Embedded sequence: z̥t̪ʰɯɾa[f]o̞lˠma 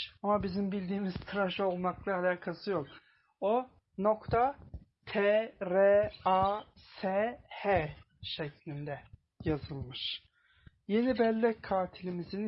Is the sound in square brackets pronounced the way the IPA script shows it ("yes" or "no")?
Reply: no